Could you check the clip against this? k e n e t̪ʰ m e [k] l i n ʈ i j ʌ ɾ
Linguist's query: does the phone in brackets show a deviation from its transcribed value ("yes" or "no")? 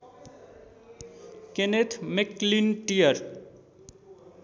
no